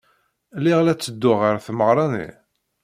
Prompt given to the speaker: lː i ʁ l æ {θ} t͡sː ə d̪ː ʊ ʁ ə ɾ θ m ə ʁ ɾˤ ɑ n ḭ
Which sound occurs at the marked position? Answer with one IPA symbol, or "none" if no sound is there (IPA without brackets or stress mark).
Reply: none